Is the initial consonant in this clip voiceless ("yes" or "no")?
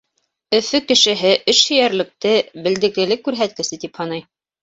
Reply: yes